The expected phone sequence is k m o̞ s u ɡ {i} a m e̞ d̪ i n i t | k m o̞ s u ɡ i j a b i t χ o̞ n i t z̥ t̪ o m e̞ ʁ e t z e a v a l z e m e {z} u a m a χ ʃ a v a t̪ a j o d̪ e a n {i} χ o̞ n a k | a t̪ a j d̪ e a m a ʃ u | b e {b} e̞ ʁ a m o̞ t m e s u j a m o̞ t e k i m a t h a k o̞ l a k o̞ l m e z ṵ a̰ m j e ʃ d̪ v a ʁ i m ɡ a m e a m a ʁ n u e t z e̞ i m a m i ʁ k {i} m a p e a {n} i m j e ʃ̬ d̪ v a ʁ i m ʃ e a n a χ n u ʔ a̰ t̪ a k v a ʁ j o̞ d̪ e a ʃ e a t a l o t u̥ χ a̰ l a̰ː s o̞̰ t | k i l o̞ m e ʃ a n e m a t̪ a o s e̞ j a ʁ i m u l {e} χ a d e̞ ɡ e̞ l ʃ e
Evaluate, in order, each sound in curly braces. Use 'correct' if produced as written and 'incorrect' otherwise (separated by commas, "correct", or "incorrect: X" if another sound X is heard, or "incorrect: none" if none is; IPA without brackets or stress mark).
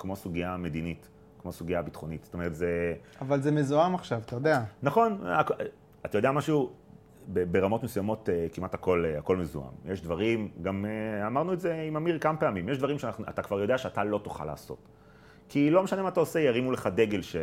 correct, correct, incorrect: a, correct, incorrect: a, incorrect: m, correct